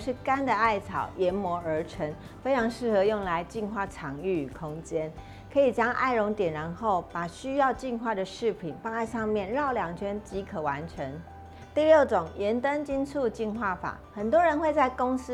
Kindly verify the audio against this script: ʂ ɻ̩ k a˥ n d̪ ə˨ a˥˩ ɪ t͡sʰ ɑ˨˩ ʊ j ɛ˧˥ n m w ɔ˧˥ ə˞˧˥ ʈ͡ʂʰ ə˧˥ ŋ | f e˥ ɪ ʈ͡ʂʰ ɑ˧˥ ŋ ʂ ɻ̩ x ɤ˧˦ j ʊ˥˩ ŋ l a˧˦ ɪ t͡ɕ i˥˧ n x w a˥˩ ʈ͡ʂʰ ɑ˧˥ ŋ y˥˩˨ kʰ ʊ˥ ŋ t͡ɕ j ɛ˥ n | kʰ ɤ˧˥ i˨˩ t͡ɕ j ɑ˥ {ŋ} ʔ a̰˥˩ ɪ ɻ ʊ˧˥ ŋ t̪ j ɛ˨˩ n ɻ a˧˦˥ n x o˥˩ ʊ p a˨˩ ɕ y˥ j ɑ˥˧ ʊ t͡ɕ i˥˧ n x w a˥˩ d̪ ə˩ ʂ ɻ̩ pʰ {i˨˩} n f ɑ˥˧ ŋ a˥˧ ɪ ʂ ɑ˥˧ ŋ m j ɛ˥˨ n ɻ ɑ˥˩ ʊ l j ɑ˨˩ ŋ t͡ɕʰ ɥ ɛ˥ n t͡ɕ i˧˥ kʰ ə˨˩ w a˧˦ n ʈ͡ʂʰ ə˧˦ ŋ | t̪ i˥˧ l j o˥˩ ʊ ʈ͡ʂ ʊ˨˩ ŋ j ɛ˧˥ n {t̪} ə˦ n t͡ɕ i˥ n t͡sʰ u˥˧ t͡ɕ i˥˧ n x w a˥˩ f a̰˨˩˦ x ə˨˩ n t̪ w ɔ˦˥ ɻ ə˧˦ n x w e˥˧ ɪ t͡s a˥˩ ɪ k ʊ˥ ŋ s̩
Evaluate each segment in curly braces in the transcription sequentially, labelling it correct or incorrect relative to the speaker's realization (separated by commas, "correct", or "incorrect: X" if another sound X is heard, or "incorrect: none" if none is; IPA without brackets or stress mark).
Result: correct, correct, correct